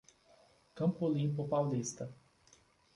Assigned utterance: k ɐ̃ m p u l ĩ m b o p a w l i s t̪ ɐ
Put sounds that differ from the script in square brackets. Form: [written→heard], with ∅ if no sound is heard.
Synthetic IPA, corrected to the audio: k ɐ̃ m p [u→o] l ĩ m [b→p] o p a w l i s t̪ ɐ